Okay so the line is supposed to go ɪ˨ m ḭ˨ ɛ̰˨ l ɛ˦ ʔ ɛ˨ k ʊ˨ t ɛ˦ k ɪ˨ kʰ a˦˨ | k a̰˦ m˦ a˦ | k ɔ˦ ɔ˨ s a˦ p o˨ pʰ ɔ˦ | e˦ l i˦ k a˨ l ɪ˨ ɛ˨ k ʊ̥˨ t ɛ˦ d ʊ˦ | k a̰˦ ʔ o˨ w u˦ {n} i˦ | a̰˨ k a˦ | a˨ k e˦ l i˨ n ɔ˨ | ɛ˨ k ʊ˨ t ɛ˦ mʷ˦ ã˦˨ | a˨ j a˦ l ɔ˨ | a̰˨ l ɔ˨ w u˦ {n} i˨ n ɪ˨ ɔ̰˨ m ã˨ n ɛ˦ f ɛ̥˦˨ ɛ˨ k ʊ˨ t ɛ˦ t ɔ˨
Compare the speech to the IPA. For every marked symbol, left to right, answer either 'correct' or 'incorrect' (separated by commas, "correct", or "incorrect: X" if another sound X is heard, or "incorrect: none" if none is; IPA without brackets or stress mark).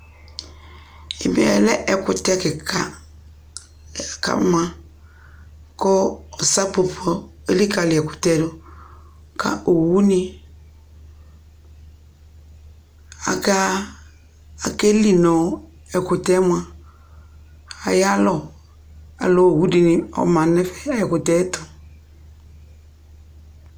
correct, incorrect: d